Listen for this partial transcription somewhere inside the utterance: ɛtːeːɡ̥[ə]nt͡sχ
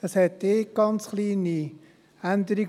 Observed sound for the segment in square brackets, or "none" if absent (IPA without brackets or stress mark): ɑ